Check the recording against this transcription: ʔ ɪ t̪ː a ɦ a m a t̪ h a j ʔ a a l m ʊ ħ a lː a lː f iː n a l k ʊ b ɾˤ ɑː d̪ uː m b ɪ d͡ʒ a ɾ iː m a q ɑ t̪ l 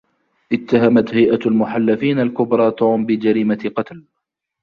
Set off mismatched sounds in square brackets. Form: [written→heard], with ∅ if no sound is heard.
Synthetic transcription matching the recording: ʔ ɪ t̪ː a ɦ a m a t̪ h a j ʔ a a l m ʊ ħ a lː a [lː→∅] f iː n a l k ʊ b ɾˤ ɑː [d̪→t̪] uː m b ɪ d͡ʒ a ɾ iː m a q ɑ t̪ l